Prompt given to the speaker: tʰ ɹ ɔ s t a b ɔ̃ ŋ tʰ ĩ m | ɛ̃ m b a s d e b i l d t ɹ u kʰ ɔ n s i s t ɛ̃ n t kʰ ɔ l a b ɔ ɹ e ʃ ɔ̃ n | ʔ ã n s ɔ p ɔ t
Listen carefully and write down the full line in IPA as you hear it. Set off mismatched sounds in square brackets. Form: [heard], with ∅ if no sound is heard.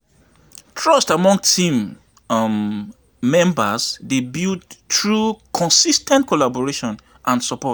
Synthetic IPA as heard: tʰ ɹ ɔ s t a [m] ɔ̃ ŋ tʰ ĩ m | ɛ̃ m b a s d e b i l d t ɹ u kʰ [ɔ̃] n s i s t ɛ̃ n t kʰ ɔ l a b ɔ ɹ e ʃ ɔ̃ n | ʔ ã n s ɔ p ɔ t